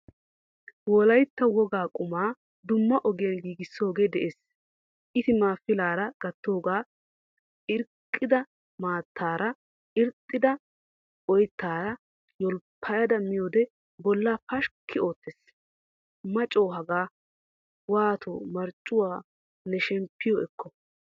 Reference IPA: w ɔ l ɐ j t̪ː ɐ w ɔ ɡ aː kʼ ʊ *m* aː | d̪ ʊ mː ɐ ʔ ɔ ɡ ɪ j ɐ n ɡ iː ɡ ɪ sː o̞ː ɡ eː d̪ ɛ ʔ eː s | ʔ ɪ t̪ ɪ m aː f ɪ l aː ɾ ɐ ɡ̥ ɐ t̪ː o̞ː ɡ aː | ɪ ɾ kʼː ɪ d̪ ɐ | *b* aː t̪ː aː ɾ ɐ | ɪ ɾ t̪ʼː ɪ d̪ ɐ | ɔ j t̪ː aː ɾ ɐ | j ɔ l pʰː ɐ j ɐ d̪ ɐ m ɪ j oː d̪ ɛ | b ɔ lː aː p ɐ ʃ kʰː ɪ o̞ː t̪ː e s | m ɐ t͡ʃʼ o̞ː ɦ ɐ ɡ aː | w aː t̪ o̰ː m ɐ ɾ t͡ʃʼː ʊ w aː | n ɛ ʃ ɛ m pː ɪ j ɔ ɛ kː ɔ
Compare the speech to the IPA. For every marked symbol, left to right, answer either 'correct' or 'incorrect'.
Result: correct, incorrect: m

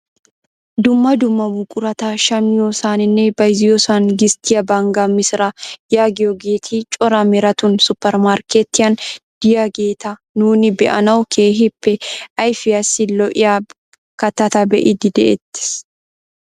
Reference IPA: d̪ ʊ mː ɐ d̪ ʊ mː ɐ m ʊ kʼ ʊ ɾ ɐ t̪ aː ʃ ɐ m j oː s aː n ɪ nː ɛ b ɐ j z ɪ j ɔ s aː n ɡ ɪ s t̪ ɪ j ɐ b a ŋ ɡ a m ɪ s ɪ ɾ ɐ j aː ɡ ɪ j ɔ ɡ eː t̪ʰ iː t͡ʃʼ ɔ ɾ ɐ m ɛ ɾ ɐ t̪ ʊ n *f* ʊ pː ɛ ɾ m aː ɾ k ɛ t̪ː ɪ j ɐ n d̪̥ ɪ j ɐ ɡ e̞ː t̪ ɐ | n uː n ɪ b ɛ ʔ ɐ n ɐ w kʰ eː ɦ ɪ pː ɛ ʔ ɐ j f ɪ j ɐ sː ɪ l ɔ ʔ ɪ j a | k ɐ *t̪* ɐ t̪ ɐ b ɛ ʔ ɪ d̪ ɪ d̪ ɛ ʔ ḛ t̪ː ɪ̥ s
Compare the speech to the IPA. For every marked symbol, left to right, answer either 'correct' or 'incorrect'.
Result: incorrect: s, correct

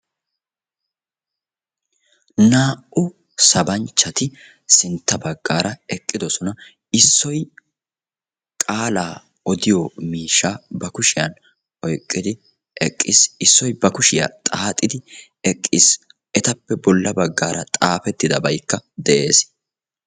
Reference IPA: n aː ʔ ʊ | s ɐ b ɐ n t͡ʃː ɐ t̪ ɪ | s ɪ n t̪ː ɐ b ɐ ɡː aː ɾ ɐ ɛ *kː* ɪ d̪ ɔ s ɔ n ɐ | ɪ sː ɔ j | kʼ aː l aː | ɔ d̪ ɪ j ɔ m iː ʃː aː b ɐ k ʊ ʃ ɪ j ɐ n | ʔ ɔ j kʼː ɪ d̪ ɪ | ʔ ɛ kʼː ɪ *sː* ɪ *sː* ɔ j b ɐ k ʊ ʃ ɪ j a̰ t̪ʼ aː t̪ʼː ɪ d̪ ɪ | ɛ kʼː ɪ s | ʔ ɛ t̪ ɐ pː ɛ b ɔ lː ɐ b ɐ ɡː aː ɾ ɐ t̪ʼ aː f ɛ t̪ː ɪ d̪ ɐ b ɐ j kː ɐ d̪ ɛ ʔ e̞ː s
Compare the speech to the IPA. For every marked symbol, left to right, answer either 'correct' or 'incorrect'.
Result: incorrect: kʼː, incorrect: s, correct

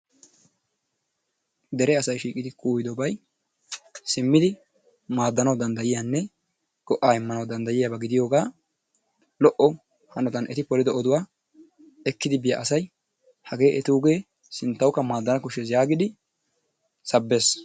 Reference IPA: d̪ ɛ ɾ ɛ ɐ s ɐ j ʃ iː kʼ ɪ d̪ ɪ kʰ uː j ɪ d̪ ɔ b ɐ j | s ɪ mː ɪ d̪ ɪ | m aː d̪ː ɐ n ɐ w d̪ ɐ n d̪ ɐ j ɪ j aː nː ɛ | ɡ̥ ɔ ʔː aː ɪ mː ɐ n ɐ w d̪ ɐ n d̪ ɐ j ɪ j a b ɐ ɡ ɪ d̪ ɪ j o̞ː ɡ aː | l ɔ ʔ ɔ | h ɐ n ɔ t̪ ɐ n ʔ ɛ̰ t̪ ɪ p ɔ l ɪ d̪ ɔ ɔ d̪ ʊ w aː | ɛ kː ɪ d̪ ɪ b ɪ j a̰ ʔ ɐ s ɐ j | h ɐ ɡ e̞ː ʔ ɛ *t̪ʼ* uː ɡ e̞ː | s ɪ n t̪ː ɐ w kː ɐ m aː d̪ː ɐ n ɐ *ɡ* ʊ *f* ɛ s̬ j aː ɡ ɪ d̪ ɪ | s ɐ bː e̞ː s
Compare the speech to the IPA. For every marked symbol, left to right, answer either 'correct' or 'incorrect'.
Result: incorrect: t̪, incorrect: k, incorrect: ʃ

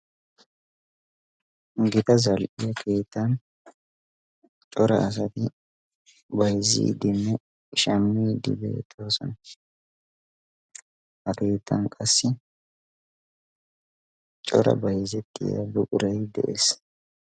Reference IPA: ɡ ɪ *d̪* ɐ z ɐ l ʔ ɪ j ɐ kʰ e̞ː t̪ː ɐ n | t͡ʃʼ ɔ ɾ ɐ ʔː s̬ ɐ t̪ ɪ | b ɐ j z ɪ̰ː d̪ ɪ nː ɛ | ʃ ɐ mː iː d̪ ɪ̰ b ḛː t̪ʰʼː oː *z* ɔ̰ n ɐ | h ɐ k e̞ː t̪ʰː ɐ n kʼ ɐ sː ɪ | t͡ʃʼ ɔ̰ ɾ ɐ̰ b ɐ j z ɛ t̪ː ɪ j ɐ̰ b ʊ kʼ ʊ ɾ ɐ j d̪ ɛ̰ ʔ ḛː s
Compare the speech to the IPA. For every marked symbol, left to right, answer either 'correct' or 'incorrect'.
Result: incorrect: t̪, incorrect: s

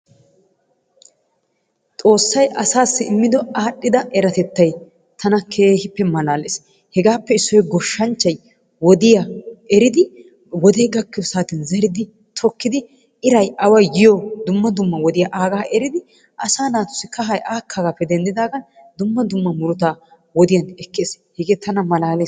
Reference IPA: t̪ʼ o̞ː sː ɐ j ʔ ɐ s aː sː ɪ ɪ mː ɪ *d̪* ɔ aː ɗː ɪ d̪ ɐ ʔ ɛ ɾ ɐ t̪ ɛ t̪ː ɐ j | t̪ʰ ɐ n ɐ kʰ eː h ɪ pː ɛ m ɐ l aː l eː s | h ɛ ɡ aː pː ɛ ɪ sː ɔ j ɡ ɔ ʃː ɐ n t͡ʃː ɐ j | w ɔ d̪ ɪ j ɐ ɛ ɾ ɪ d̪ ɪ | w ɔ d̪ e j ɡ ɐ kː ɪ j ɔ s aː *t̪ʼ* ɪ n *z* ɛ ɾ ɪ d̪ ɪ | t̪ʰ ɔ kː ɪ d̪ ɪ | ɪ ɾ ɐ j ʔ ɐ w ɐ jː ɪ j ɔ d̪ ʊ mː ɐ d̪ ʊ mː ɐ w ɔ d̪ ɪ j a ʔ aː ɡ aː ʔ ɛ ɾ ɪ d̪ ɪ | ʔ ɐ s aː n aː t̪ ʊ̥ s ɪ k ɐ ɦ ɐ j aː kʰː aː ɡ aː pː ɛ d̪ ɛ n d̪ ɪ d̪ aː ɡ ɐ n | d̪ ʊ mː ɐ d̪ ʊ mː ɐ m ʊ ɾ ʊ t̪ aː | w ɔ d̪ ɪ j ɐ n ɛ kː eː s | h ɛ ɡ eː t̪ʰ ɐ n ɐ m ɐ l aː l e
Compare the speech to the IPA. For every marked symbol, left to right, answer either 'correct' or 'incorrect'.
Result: correct, incorrect: t̪, correct

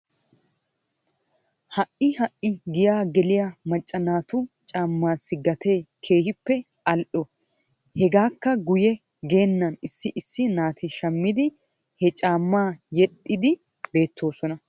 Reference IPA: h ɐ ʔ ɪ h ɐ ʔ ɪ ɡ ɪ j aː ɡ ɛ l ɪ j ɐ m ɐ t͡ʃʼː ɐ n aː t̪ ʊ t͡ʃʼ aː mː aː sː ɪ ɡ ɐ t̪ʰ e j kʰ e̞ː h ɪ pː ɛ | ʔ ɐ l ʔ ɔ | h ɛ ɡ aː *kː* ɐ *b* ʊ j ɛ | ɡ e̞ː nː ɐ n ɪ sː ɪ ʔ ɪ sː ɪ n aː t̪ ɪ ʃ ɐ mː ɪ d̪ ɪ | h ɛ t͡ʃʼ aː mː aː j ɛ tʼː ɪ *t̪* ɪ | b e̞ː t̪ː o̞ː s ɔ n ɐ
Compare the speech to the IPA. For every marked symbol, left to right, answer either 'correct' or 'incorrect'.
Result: correct, incorrect: ɡ, incorrect: d̪

